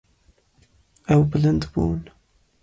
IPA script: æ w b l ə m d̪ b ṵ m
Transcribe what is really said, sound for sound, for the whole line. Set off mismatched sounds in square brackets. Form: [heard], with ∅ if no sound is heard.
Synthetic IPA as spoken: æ w b l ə [n] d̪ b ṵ [n]